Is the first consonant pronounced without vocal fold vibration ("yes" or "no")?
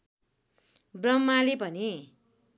no